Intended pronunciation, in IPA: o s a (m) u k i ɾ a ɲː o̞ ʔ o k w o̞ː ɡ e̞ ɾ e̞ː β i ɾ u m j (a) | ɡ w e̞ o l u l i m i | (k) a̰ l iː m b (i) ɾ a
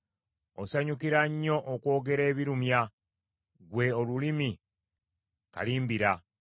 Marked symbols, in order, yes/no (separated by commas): no, yes, yes, yes